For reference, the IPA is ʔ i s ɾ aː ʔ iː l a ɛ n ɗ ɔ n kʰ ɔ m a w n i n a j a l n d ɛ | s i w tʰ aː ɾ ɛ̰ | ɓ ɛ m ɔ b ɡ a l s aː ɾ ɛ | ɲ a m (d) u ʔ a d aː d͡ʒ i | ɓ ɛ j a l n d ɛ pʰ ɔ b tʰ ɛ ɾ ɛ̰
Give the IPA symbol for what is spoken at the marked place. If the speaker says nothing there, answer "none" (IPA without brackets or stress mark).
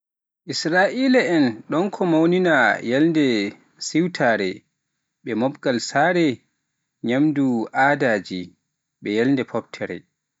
d